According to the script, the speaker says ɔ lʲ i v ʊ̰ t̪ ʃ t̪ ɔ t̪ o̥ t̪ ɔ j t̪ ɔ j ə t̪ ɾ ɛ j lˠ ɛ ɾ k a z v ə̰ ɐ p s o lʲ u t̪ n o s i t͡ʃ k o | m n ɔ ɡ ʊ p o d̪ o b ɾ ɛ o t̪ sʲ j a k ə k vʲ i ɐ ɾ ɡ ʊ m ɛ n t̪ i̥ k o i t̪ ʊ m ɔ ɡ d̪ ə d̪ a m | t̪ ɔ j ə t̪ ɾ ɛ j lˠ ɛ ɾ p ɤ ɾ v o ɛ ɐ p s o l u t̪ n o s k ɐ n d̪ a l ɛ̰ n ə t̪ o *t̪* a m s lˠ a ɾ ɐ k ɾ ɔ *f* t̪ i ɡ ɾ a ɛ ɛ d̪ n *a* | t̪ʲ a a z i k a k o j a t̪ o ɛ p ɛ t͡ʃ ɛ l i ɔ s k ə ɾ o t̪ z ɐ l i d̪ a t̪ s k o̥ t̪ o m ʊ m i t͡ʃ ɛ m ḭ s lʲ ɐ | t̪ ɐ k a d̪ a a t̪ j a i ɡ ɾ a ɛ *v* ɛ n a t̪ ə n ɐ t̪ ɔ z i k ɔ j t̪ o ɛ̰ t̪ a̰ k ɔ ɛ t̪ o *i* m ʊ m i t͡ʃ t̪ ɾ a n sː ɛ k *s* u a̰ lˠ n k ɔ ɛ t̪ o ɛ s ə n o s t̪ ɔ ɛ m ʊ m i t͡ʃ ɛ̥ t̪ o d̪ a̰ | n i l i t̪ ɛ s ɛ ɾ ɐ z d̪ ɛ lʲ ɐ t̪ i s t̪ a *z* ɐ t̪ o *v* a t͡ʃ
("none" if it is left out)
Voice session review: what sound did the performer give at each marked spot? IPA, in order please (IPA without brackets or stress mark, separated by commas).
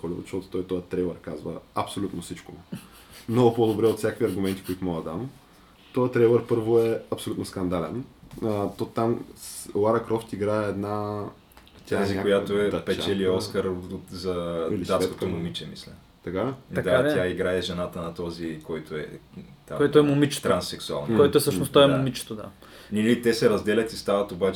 t̪, f, a, ʒ, ɛ, s, v, b